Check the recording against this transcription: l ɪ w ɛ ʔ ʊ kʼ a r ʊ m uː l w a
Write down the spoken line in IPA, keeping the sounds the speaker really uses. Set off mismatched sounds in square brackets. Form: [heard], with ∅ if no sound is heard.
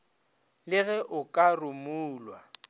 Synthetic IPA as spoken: l ɪ [ɣ] ɛ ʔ ʊ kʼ a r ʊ m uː l w a

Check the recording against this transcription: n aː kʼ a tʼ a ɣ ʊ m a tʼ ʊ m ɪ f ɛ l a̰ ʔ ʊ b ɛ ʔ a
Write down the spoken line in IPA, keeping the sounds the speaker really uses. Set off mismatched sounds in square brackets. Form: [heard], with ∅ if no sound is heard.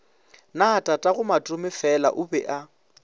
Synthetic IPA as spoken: n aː [tʼ] a tʼ a ɣ ʊ m a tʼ ʊ m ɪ f ɛ l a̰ ʔ ʊ b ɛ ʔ a

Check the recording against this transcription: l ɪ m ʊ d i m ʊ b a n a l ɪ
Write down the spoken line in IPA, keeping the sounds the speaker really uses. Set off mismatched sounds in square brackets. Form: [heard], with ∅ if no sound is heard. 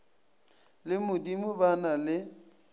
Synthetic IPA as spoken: l ɪ m ʊ d i m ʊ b a n a l ɪ

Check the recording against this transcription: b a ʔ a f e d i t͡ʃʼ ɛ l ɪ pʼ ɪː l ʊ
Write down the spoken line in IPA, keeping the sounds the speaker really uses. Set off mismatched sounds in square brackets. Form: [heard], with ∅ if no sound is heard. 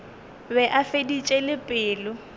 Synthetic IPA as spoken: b [ɛ] ʔ a f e d i t͡ʃʼ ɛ l ɪ pʼ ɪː l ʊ

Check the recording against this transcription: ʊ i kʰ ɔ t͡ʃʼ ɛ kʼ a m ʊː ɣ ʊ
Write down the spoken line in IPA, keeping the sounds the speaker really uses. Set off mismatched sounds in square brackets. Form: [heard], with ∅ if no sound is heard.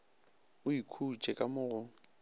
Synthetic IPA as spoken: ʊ i kʰ [u] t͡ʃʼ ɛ kʼ a m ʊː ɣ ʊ

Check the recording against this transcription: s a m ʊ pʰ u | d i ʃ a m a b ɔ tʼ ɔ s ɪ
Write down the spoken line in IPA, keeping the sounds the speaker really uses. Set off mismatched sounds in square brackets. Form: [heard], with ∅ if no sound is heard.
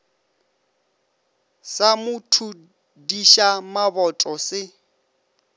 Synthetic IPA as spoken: s a m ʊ [tʰ] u | d i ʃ a m a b ɔ tʼ ɔ s ɪ

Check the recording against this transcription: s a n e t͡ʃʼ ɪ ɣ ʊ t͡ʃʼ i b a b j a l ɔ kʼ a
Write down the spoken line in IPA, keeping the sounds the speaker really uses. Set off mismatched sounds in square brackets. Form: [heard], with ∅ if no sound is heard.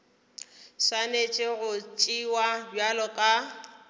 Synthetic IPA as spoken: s a n e t͡ʃʼ ɪ ɣ ʊ t͡ʃʼ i [w] a b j a l ɔ kʼ a

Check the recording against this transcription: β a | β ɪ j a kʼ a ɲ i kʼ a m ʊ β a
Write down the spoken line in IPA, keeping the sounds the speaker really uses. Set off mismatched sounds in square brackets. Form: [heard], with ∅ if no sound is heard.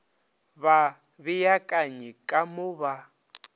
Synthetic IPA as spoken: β a | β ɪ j a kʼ a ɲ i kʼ a m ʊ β a

